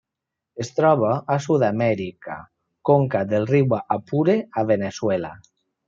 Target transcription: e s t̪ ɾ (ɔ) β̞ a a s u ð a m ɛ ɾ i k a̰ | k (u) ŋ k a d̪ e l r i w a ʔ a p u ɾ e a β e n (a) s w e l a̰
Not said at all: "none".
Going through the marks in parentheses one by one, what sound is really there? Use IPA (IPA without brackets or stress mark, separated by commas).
ɔ, o, e